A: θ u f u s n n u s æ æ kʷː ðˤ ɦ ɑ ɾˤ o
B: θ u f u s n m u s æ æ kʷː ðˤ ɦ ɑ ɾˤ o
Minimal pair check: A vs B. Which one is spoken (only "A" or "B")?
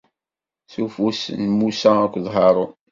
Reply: B